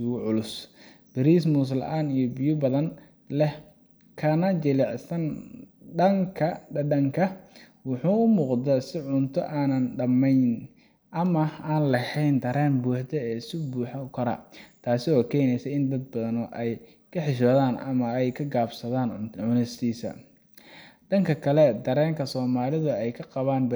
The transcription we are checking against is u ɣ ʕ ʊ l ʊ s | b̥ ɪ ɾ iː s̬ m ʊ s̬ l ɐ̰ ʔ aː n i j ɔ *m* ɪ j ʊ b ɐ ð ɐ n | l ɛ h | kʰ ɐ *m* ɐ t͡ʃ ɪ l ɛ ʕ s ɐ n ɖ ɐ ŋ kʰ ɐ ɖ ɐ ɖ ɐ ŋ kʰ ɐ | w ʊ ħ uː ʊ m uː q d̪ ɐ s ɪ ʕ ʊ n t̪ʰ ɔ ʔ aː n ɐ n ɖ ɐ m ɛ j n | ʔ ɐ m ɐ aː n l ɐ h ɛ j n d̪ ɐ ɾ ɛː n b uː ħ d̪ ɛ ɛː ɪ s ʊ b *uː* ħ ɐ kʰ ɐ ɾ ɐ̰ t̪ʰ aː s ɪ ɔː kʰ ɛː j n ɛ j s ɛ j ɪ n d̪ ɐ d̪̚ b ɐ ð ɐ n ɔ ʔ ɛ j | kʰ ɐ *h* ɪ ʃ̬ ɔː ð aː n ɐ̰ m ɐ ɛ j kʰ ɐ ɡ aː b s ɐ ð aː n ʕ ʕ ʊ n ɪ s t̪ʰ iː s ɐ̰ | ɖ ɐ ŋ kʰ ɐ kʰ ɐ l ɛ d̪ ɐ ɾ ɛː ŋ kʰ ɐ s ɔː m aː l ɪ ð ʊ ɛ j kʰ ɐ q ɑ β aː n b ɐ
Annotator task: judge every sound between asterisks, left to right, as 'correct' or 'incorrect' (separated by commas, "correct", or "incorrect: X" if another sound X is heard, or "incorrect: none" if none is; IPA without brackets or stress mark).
incorrect: b, incorrect: n, correct, incorrect: ħ